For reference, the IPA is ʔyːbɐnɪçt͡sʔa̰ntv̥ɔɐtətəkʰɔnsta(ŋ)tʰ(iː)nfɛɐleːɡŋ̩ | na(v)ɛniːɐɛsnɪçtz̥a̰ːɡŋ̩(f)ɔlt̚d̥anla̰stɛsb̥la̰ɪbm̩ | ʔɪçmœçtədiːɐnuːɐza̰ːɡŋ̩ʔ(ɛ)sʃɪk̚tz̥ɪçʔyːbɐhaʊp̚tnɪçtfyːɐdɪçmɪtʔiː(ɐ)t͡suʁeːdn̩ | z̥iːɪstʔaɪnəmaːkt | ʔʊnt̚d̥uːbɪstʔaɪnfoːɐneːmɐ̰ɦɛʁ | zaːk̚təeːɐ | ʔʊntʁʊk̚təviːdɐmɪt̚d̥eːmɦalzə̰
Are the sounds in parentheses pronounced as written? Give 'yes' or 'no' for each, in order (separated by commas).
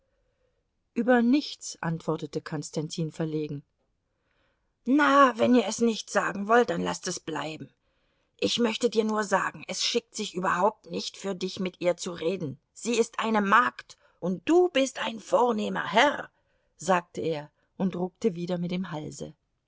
no, yes, yes, no, yes, yes